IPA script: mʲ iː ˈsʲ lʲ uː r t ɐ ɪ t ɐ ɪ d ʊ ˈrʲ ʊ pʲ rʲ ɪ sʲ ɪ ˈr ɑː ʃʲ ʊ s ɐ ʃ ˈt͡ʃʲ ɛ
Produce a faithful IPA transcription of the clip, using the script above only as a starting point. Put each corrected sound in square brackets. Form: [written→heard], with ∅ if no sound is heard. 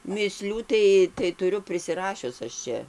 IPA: mʲ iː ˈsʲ lʲ uː [r→∅] t ɐ ɪ t ɐ ɪ [d→t] ʊ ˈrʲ ʊ pʲ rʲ ɪ sʲ ɪ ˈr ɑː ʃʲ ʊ s ɐ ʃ ˈt͡ʃʲ ɛ

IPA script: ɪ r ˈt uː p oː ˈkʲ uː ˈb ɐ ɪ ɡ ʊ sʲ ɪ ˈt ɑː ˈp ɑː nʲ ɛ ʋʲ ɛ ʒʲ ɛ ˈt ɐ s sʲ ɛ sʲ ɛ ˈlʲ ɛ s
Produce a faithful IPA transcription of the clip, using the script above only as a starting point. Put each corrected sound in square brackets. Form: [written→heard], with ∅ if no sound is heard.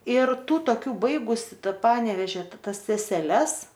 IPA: ɪ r ˈt uː [p→t] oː ˈkʲ uː ˈb ɐ ɪ ɡ ʊ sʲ ɪ ˈt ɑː ˈp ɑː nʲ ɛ ʋʲ ɛ ʒʲ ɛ ˈt ɐ s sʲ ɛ sʲ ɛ ˈlʲ ɛ s

